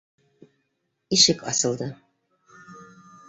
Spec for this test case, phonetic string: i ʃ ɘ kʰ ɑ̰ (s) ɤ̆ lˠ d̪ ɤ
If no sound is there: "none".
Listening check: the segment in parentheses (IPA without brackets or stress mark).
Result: s